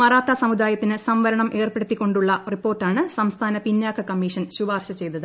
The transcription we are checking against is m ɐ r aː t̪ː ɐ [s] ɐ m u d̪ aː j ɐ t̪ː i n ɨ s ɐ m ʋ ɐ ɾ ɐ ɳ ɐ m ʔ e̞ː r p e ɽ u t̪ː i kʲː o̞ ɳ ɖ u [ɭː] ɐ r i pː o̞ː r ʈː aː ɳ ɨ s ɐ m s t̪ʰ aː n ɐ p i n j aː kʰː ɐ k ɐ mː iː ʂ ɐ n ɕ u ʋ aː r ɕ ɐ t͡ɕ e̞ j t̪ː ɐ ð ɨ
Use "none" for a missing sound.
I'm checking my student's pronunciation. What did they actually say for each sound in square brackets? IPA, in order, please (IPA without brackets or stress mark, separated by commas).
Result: s, ɭː